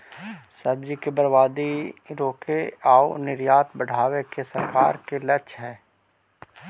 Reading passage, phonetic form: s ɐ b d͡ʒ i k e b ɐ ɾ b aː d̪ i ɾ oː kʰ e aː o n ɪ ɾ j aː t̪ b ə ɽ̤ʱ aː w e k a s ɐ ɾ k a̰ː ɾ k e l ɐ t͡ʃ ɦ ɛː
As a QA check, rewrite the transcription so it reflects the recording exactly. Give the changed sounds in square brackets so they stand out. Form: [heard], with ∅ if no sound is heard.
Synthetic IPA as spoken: s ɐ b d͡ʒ i k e b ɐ ɾ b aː d̪ i ɾ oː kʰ e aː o n ɪ ɾ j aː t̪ b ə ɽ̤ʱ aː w e k [e] s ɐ ɾ k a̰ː ɾ k e l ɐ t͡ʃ ɦ ɛː